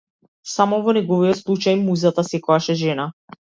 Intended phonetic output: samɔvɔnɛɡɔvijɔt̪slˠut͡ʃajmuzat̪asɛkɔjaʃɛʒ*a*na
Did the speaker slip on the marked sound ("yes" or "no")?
yes